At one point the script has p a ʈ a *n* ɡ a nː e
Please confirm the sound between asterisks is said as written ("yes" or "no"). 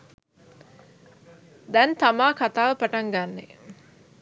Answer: no